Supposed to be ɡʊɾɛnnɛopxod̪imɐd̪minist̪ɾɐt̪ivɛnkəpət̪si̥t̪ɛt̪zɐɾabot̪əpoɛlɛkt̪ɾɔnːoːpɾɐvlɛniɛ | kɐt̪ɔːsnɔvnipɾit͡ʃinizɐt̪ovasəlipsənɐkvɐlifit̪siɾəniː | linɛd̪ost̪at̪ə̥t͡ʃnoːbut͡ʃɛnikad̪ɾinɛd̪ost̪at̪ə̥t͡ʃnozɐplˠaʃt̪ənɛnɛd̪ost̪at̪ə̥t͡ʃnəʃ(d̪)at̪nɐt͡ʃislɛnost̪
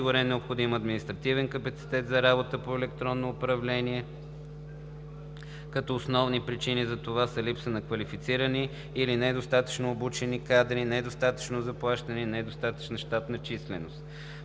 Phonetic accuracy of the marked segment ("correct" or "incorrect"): incorrect